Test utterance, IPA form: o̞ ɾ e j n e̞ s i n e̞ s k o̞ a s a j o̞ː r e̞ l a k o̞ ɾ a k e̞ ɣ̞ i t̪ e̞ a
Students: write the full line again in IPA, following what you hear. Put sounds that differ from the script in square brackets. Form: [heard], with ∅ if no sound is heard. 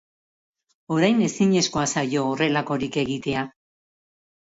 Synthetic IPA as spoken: o̞ ɾ [a] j n e̞ s i [ɲ] e̞ s k o̞ a s a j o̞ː r e̞ l a k o̞ ɾ [i] k e̞ ɣ̞ i t̪ e̞ a